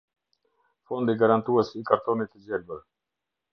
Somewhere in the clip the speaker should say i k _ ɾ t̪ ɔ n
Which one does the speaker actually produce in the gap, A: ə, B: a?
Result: B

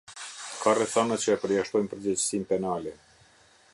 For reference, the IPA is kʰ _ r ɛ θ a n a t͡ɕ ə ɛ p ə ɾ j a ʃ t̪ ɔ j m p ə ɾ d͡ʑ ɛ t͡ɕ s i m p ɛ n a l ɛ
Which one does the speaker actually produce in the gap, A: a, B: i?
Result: A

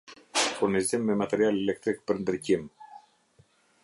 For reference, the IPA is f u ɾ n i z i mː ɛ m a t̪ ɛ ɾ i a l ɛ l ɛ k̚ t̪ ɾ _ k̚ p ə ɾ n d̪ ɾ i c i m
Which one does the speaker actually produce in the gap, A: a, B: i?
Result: B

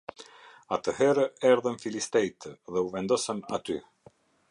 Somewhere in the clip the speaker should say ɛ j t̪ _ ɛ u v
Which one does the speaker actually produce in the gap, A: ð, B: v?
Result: A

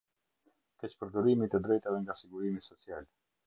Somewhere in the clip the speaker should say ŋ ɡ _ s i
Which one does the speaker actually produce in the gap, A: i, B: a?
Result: B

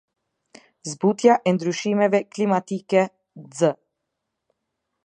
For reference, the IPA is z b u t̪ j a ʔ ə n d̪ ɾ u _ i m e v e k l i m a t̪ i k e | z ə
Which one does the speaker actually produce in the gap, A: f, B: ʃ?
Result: B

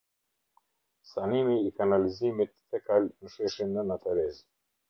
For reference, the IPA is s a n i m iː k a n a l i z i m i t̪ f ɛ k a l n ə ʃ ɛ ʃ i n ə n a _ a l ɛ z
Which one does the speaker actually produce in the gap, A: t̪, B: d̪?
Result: A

